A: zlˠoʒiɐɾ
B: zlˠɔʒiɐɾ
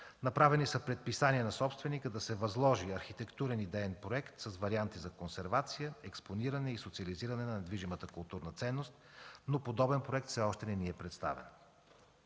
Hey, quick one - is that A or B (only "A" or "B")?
B